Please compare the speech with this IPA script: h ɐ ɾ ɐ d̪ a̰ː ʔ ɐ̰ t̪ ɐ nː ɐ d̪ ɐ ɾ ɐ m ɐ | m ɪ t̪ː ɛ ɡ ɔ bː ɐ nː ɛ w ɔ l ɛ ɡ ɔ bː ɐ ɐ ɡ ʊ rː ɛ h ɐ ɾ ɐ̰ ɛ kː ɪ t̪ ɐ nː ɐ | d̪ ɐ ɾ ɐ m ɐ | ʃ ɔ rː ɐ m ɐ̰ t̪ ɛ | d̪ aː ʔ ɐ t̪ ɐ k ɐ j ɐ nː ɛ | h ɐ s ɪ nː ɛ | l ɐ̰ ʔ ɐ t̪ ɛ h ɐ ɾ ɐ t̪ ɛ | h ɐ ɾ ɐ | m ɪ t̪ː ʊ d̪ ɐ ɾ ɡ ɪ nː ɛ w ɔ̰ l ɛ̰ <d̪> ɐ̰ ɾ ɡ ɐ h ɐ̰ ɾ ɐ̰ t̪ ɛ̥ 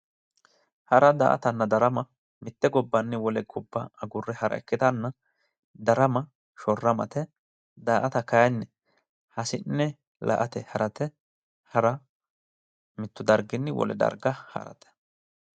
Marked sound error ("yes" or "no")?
no